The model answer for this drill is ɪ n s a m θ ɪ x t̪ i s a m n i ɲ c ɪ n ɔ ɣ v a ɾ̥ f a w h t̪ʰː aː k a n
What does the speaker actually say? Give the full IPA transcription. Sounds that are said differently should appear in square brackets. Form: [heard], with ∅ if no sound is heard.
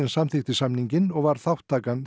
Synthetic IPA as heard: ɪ n s a m θ ɪ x t̪ [ɪ] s a m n i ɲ c ɪ n ɔ ɣ v a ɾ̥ [θ] a w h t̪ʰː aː k a n